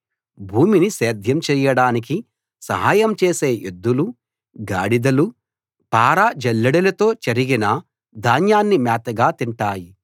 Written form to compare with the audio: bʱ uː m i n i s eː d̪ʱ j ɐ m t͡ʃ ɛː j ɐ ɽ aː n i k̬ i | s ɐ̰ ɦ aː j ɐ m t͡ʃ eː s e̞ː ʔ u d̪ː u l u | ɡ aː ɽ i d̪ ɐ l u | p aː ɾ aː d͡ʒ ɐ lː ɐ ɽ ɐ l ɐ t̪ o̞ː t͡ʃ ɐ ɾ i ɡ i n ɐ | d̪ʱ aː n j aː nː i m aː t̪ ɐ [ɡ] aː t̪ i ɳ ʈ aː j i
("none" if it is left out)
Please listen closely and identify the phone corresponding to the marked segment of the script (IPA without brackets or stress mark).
ɡ